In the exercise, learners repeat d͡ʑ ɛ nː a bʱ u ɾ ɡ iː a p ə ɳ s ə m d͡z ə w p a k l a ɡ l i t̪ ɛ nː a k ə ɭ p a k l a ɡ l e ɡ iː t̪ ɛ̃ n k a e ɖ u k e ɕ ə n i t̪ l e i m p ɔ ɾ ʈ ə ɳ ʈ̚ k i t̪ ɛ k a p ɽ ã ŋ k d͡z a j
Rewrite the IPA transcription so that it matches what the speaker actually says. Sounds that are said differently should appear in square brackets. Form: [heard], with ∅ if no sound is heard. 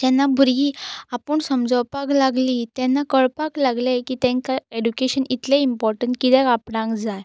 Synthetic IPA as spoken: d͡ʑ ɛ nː a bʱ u ɾ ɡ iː a p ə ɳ s ə m d͡z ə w p a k l a ɡ l i t̪ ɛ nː a k ə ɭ p a k l a ɡ l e [k] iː t̪ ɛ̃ [ŋ] k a e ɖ u k e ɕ ə n i t̪ l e i m p ɔ ɾ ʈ ə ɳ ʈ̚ k i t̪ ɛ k a p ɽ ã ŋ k d͡z a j